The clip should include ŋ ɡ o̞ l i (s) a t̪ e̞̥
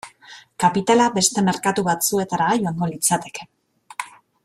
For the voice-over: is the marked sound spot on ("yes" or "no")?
no